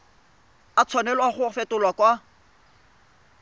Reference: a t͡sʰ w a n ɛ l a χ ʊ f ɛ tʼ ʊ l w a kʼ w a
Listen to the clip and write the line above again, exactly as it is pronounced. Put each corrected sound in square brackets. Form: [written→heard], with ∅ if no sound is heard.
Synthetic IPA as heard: a t͡sʰ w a n ɛ l a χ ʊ f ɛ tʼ ʊ l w a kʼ w a